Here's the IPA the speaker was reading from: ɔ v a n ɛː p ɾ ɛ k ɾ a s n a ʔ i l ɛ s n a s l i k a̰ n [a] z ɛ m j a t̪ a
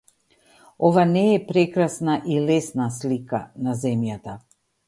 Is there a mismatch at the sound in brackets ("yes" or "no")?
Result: no